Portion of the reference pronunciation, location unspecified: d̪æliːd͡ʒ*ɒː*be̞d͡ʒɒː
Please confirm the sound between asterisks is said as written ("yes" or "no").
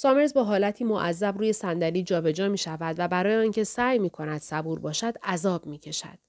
yes